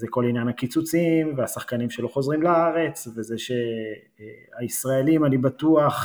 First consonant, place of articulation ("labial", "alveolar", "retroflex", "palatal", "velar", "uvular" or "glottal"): alveolar